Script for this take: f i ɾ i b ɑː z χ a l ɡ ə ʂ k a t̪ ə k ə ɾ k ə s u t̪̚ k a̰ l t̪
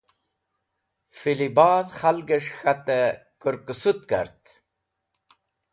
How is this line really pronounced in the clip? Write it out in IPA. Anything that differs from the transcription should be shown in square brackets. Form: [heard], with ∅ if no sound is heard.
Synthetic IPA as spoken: f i [l] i b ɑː [ð] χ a l ɡ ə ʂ [x] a t̪ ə k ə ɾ k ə s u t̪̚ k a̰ [ɾ] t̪